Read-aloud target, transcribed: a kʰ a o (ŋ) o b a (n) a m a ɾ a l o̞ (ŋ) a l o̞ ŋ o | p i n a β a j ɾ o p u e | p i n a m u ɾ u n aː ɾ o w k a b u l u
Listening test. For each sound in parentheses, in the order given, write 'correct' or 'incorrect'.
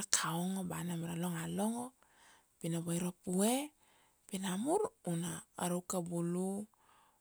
correct, correct, correct

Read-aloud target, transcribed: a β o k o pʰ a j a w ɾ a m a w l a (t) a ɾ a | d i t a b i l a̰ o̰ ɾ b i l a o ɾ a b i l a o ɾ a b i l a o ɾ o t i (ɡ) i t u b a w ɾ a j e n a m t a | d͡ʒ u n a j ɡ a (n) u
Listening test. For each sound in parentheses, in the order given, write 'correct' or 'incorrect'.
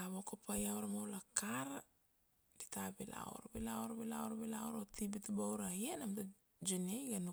incorrect: k, incorrect: b, correct

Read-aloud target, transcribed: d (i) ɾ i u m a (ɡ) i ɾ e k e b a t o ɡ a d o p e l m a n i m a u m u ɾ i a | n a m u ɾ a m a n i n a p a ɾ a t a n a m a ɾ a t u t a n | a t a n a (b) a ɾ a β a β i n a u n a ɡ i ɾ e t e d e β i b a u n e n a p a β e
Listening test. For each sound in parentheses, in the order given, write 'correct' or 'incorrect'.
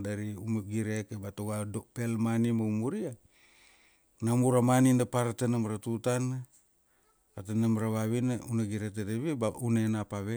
incorrect: a, correct, incorrect: m

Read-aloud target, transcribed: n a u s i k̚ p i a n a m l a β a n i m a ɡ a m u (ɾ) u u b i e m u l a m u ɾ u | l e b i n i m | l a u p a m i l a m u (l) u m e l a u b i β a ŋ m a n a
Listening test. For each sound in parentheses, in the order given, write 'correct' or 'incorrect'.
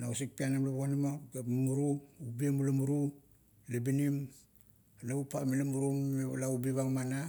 correct, incorrect: ɾ

